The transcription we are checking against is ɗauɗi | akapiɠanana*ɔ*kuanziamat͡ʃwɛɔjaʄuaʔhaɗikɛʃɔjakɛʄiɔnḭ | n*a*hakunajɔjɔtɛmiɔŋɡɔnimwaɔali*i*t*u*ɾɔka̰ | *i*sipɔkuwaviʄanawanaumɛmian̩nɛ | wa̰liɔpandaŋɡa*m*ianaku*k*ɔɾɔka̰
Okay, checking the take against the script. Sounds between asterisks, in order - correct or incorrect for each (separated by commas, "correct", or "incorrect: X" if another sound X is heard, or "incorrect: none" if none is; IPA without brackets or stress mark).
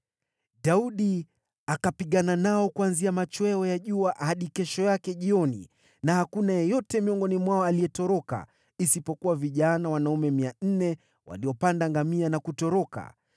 correct, correct, incorrect: ɛ, incorrect: ɔ, correct, correct, incorrect: t